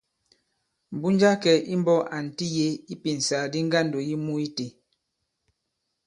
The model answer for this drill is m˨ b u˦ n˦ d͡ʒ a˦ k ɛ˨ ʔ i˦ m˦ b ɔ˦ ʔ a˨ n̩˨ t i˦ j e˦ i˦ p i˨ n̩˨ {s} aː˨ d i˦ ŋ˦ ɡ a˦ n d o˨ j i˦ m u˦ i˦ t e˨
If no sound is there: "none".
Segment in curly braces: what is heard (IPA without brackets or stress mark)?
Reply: s